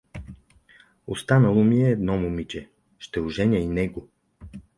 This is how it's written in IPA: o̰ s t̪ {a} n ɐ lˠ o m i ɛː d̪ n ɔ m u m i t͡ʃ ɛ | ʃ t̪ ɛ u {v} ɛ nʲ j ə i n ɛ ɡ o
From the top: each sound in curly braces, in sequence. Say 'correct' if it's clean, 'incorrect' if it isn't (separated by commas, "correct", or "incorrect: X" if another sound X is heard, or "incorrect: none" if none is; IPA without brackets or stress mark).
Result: correct, incorrect: ʒ